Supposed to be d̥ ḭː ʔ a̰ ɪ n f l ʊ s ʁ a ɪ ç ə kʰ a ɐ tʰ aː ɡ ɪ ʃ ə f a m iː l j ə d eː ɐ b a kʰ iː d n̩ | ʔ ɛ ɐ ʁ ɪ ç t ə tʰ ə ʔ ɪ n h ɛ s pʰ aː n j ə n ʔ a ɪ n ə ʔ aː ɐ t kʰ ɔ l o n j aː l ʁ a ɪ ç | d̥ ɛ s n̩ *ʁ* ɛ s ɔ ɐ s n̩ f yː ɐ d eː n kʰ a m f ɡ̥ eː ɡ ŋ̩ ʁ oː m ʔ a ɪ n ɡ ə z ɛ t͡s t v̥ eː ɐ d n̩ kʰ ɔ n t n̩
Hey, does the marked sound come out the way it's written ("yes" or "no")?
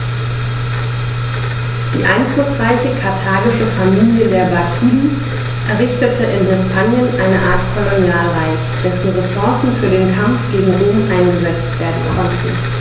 yes